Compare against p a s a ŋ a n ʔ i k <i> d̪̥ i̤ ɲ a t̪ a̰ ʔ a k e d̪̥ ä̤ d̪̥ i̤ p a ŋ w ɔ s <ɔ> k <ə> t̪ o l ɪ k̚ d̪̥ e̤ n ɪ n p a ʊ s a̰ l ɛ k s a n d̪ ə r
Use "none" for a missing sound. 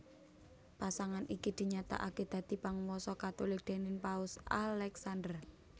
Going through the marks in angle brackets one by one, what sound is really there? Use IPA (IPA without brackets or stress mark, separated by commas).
i, ɔ, a